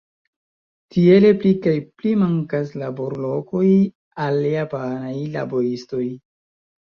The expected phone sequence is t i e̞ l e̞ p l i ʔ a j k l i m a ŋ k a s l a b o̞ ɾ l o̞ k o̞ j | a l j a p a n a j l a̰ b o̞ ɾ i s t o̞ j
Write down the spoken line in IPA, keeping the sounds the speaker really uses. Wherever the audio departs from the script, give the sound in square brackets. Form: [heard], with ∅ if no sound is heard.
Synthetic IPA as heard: t i e̞ l e̞ p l i [k] a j [p] l i m a ŋ k a s l a b o̞ ɾ l o̞ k o̞ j | a l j a p a n a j l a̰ b o̞ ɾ i s t o̞ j